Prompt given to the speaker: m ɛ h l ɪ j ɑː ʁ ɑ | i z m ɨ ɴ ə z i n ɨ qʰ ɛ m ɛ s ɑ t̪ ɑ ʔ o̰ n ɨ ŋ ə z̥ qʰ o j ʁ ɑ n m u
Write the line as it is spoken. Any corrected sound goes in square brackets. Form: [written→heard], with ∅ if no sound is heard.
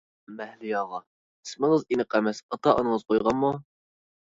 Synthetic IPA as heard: m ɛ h l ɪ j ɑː ʁ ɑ | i [z→s] m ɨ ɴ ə z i n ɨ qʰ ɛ m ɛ s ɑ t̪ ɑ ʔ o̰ n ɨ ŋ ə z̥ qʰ o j ʁ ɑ n m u

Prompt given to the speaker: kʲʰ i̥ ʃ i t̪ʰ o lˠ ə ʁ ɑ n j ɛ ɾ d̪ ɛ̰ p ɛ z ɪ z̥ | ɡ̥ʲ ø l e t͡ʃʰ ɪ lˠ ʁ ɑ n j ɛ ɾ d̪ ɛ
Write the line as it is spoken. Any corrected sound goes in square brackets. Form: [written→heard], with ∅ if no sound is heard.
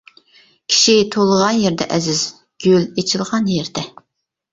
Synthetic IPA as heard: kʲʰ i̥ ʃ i t̪ʰ o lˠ ə ʁ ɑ n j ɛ ɾ d̪ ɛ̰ [p→ʔ] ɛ z ɪ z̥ | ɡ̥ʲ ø l e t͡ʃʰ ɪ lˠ ʁ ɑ n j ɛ ɾ d̪ ɛ

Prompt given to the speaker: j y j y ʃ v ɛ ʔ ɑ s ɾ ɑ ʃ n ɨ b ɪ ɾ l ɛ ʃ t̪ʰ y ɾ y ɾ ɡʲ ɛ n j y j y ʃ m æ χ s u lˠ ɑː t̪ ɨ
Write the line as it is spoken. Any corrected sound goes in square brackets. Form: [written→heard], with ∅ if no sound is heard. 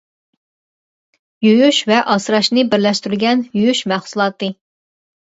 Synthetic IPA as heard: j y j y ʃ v ɛ ʔ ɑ s ɾ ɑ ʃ n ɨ b ɪ ɾ l ɛ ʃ [t̪ʰ→t̪] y ɾ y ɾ ɡʲ ɛ n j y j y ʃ m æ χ s u lˠ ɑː t̪ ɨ

